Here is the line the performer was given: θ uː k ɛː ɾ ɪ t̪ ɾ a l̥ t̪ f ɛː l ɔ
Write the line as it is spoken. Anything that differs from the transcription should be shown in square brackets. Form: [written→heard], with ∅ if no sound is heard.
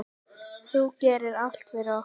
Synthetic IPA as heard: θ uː [k→c] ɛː ɾ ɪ [t̪→∅] ɾ a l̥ t̪ [f→v] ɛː [l→ɾ] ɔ